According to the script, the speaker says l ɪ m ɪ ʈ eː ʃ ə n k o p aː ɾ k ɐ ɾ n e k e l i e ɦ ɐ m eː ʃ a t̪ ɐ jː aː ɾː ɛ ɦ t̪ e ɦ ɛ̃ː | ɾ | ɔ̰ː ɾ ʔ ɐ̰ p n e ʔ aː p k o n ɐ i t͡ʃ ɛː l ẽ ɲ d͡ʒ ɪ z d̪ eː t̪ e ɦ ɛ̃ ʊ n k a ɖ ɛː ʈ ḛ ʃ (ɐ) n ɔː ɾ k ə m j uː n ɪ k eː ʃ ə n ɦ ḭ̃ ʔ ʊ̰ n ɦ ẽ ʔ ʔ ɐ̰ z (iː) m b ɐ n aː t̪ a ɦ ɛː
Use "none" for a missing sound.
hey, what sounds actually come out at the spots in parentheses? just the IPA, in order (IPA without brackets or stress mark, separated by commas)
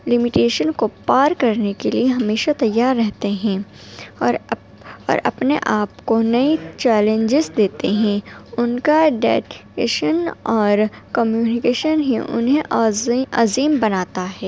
ə, iː